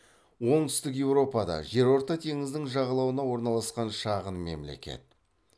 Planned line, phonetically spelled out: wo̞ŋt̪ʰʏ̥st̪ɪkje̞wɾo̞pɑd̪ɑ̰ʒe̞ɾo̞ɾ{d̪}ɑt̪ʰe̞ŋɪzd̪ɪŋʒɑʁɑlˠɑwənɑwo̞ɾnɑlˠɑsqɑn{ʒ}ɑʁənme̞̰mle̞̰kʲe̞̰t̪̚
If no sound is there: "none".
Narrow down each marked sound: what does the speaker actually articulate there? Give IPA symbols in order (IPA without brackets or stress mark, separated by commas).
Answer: t̪, ʃ